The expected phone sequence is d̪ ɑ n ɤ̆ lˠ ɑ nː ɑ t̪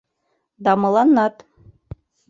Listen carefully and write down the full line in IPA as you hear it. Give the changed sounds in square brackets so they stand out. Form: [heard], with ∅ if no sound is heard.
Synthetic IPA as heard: d̪ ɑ [m] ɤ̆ lˠ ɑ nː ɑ t̪